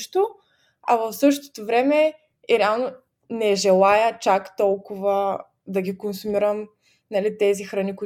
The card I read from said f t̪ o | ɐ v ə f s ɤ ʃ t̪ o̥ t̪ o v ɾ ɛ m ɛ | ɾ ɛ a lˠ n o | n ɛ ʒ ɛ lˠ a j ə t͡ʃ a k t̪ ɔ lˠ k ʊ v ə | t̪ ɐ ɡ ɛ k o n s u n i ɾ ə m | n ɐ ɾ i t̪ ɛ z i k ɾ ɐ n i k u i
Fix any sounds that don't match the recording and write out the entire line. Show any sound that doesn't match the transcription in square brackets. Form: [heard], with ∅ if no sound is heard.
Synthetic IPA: [ʃ] t̪ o | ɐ v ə f s ɤ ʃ t̪ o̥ t̪ o v ɾ ɛ m ɛ | ɾ ɛ a lˠ n o | n ɛ ʒ ɛ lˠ a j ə t͡ʃ a k t̪ ɔ lˠ k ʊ v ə | [d̪] ɐ ɡ [i] k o n s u [m] i ɾ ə m | n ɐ [l] i t̪ ɛ z i [x] ɾ ɐ n i k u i